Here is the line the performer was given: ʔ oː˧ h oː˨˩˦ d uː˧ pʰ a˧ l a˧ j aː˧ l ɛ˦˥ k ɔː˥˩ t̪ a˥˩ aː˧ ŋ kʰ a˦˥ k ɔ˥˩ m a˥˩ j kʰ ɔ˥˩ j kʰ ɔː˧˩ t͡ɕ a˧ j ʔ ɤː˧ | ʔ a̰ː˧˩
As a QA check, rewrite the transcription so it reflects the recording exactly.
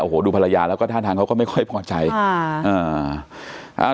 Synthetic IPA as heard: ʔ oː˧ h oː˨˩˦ d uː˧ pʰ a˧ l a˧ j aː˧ l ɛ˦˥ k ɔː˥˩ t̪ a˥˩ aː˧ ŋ kʰ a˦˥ k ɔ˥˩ m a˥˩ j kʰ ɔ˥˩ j pʰ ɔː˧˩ t͡ɕ a˧ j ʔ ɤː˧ | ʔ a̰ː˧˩